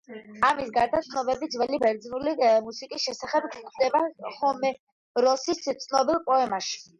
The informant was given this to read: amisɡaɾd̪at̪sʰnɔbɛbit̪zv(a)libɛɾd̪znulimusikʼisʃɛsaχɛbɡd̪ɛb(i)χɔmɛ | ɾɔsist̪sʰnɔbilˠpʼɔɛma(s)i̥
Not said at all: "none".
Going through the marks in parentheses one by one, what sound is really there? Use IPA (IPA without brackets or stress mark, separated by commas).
ɛ, a, ʃ